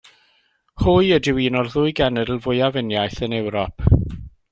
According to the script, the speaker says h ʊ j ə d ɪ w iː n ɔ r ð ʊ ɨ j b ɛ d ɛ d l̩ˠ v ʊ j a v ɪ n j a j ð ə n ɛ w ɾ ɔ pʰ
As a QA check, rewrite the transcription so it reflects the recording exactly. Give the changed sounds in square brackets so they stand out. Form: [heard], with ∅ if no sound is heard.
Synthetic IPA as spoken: h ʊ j ə d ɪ w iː n ɔ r ð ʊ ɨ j [ɡ] ɛ [n] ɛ d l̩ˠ v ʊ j a v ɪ n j a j [θ] ə n ɛ w ɾ ɔ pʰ